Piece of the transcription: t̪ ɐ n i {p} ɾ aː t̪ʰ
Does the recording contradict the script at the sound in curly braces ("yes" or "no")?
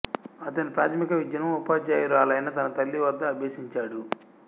no